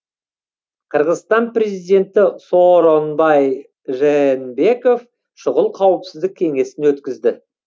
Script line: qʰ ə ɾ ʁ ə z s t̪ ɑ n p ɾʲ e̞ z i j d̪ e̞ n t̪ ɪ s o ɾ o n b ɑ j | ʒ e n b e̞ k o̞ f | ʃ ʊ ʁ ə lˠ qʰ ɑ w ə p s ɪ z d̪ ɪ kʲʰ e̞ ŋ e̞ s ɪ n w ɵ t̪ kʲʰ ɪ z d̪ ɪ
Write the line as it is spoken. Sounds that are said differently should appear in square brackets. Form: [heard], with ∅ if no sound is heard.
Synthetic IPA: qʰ ə ɾ ʁ ə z s t̪ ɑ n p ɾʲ e̞ z i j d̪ e̞ n t̪ ɪ s o ɾ o n b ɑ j | ʒ e n b e̞ k o̞ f | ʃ ʊ ʁ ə lˠ qʰ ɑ w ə p s ɪ z d̪ ɪ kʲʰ e̞ ŋ e̞ s ɪ n w ɵ t̪ [kʲ] ɪ z d̪ ɪ